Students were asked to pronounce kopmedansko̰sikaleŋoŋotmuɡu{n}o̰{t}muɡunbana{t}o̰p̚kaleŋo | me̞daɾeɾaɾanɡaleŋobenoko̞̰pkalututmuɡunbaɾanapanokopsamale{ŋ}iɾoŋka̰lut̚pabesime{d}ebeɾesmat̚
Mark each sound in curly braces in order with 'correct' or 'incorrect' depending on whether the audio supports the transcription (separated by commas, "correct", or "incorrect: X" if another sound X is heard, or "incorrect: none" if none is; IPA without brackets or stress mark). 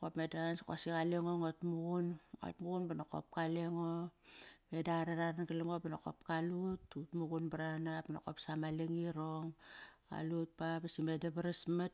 correct, correct, incorrect: k, correct, correct